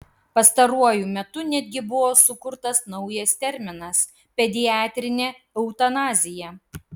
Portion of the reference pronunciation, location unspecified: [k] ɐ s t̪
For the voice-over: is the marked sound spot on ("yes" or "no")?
no